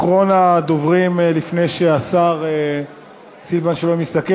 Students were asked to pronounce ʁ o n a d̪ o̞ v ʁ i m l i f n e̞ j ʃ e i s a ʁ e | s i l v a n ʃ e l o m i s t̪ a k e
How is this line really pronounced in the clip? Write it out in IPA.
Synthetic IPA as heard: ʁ o n a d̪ o̞ v ʁ i m l i f n e̞ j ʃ e a s a ʁ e | s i l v a n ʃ e l o m i s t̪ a k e